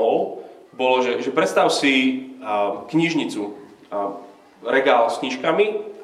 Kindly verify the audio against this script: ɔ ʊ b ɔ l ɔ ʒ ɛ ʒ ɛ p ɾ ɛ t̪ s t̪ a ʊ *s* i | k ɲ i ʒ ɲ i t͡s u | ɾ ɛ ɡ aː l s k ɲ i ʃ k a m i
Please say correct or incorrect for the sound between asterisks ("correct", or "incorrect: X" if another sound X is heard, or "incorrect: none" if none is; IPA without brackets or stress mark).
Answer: correct